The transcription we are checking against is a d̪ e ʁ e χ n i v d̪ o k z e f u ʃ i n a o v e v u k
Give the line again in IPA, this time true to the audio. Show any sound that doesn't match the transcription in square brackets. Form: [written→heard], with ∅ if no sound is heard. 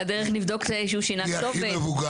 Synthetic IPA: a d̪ e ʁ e χ n i v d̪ o k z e [f→ʃ] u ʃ i n a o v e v u [k→ɡ]